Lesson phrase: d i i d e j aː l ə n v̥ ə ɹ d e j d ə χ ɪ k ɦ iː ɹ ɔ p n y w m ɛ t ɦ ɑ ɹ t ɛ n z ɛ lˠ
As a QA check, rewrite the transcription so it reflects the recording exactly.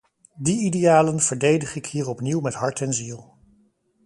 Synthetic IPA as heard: d i i d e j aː l ə n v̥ ə ɹ d e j d ə χ ɪ k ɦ iː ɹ ɔ p n i w m ɛ t ɦ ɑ ɹ t ɛ n z i lˠ